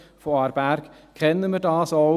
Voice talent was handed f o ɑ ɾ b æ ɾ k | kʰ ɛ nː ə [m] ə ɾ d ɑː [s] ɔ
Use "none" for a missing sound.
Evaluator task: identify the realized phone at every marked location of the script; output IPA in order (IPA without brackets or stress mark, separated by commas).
m, s